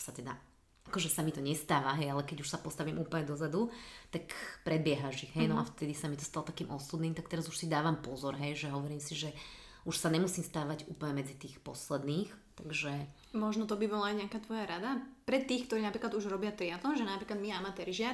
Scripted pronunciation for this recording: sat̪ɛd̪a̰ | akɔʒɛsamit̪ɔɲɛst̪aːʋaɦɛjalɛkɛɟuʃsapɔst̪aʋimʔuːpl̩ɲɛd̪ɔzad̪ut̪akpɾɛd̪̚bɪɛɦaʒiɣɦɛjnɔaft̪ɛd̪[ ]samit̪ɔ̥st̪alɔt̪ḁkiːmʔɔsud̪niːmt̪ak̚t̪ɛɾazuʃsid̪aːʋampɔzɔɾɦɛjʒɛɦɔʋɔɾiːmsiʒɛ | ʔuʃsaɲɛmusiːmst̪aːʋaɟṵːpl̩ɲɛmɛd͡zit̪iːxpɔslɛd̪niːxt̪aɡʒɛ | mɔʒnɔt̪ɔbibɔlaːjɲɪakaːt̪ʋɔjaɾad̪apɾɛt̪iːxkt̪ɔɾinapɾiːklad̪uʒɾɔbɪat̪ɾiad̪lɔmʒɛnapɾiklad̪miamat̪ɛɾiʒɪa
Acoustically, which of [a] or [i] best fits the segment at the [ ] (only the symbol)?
i